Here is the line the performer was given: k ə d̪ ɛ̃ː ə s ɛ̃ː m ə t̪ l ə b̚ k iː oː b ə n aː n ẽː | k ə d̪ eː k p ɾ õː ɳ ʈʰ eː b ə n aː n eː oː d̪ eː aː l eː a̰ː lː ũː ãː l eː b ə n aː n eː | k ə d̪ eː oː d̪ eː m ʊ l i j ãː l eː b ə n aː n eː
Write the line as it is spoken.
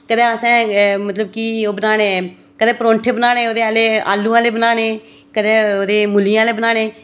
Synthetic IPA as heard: k ə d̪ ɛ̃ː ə s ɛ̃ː m ə t̪ l ə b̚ k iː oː b ə n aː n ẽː | k ə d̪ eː p ɾ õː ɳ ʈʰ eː b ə n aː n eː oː d̪ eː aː l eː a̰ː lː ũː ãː l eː b ə n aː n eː | k ə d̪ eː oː d̪ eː m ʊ l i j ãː l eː b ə n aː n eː